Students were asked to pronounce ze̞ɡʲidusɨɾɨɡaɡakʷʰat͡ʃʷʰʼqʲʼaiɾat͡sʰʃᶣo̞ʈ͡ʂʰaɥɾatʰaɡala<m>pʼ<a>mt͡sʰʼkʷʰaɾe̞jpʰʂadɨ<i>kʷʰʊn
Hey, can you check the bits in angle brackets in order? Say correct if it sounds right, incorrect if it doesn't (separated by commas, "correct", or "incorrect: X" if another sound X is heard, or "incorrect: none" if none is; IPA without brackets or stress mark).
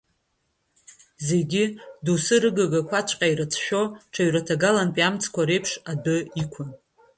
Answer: incorrect: n, correct, correct